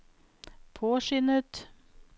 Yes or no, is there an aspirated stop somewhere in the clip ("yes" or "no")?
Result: yes